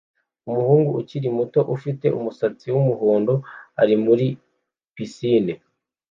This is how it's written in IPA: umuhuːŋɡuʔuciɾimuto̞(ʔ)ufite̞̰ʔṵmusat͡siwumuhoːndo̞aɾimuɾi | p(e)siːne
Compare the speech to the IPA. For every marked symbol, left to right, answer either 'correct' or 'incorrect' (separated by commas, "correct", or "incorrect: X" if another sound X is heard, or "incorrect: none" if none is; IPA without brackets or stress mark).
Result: correct, incorrect: i